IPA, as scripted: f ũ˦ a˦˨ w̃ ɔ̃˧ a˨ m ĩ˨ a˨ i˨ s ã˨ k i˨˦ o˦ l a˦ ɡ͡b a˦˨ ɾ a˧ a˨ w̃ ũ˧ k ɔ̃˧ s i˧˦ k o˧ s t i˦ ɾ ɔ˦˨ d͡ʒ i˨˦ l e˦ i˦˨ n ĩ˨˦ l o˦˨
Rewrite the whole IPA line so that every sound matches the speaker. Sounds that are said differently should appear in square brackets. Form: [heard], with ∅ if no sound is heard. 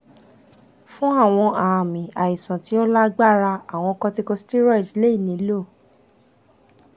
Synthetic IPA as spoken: f ũ˦ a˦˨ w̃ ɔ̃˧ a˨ m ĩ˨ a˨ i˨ s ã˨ [t] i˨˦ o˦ l a˦ ɡ͡b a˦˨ ɾ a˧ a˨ w̃ [ɔ̃˧] k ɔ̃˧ [t] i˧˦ k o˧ s t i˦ ɾ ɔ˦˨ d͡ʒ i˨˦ l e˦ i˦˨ n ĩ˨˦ l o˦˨